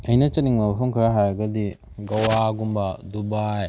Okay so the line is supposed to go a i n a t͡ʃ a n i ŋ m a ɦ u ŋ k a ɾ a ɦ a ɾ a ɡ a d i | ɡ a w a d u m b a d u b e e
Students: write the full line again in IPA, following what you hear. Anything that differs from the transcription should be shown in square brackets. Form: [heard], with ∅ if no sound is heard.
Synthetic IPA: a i n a t͡ʃ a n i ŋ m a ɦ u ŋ k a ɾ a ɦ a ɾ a ɡ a d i | ɡ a w a [ɡ] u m b a d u b [a] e